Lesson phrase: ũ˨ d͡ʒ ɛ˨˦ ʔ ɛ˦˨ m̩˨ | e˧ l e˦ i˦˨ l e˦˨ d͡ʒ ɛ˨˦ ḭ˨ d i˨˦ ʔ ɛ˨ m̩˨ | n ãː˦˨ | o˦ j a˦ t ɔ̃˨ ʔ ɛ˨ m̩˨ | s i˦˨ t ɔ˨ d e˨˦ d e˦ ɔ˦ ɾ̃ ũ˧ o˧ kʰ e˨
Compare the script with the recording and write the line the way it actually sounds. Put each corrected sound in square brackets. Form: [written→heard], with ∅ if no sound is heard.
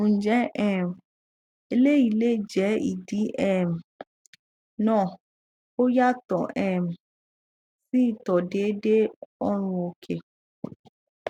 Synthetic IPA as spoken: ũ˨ d͡ʒ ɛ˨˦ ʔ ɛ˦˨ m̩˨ | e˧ l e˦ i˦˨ l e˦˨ d͡ʒ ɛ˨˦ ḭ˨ d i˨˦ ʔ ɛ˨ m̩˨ | n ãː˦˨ | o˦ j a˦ t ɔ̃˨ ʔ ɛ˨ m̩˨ | s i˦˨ t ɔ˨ d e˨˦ d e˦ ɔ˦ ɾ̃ ũ˧ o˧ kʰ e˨

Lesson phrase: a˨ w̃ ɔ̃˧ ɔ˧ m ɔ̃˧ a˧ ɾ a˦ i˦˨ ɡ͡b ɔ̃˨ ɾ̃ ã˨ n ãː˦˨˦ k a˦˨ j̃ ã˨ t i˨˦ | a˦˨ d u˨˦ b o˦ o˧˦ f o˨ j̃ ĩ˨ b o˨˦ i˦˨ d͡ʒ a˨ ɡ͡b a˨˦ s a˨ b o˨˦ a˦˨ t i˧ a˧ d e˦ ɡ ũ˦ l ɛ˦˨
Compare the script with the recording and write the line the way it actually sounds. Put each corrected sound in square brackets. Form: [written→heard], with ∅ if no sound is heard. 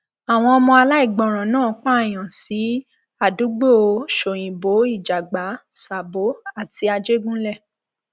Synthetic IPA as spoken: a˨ w̃ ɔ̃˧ ɔ˧ m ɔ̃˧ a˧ [ɾ→l] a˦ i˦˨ ɡ͡b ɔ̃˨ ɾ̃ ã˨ n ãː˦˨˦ [k→k͡p] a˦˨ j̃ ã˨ [t→s] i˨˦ | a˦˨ d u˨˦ [b→ɡ͡b] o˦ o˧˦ [f→ʃ] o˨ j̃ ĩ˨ b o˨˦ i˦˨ d͡ʒ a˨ ɡ͡b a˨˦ s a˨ b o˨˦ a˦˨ t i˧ a˧ [d→d͡ʒ] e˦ ɡ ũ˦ l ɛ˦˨

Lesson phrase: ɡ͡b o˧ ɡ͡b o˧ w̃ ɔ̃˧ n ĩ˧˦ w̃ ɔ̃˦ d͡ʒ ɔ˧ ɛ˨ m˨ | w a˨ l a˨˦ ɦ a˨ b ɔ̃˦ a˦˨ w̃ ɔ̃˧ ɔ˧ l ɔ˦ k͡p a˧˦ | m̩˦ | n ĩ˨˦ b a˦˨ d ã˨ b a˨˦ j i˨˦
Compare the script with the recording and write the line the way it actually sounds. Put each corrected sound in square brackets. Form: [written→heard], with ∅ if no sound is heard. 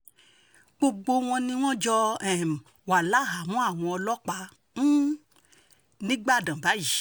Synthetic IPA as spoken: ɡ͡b o˧ ɡ͡b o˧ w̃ ɔ̃˧ n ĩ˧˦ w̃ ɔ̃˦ d͡ʒ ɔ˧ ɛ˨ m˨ | w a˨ l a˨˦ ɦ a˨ [b→m] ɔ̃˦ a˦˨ w̃ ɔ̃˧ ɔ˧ l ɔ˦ k͡p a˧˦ | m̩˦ | n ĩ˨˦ [b→ɡ͡b] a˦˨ d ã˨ b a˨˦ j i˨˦

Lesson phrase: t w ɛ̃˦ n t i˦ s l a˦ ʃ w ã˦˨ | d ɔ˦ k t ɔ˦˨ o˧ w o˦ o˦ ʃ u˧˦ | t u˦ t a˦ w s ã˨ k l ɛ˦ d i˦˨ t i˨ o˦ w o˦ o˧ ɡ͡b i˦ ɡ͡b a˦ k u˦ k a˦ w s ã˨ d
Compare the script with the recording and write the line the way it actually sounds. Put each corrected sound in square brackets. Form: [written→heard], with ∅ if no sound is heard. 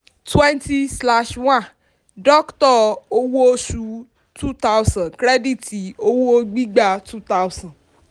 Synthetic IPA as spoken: t w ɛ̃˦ n t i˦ s l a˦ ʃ w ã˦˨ | d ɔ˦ k t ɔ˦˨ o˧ w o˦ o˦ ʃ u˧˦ | t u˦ t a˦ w s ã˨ k [l→ɾ] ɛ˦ d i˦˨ t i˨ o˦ w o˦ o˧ ɡ͡b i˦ ɡ͡b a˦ [k→t] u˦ [k→t] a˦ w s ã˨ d

